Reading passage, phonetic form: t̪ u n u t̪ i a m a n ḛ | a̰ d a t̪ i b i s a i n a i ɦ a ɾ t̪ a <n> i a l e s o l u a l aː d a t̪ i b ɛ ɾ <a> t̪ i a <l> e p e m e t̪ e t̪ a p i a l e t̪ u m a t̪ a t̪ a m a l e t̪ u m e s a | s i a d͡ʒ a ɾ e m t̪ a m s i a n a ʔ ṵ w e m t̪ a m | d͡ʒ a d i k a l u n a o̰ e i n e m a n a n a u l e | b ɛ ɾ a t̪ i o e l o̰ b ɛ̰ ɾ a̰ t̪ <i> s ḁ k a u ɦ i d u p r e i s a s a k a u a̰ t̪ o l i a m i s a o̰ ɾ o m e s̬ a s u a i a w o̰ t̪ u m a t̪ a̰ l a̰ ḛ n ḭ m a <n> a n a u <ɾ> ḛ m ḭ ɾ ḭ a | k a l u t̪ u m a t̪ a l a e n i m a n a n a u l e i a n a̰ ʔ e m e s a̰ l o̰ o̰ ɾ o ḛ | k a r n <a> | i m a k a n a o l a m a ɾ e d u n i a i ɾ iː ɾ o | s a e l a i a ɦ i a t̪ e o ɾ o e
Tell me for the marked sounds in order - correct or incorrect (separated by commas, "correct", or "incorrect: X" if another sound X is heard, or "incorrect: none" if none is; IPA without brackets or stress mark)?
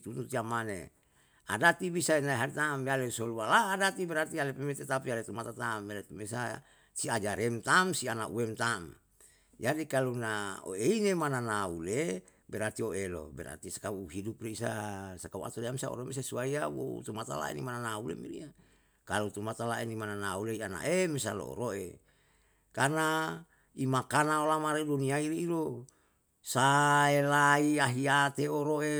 incorrect: m, correct, correct, correct, correct, incorrect: l, correct